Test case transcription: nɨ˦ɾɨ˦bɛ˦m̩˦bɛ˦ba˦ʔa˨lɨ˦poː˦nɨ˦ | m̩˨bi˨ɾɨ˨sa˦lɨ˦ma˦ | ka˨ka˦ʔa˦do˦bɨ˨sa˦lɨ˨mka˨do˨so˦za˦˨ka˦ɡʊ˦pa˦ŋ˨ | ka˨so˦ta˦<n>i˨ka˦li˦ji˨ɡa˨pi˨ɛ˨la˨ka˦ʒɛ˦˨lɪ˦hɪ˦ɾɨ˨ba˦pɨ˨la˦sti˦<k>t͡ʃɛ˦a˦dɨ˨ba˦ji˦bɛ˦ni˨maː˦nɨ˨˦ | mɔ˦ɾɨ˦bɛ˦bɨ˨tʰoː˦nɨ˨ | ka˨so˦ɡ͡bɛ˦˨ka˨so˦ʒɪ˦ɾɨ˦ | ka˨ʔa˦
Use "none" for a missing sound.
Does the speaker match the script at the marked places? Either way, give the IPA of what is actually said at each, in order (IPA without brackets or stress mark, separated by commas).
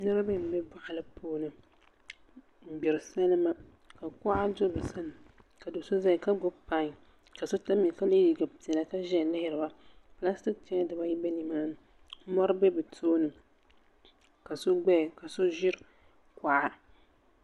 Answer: m, k